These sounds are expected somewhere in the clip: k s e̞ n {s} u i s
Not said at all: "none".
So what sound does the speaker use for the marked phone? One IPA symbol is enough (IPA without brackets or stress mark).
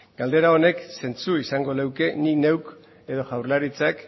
t͡s